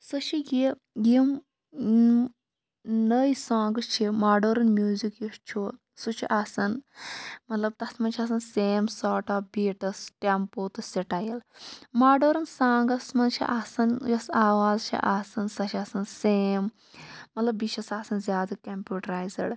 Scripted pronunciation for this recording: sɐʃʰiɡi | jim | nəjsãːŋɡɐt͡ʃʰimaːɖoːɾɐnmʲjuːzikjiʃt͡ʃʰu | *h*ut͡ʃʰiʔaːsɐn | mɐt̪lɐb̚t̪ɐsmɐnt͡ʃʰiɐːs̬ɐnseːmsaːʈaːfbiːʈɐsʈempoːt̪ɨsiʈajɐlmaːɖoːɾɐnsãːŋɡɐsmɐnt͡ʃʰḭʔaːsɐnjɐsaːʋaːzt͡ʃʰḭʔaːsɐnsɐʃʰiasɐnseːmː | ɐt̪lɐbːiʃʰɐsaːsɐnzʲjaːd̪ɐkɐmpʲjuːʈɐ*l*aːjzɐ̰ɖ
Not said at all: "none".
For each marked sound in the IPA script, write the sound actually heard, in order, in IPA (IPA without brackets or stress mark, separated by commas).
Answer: s, ɾ